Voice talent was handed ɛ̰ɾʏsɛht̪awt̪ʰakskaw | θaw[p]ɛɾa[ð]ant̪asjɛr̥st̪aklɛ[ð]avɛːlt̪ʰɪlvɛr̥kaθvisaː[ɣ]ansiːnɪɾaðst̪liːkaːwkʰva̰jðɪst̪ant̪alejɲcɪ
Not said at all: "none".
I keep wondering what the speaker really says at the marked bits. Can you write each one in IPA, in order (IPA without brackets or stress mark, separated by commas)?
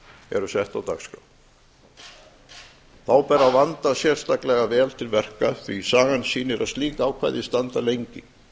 p, v, ɣ, ɣ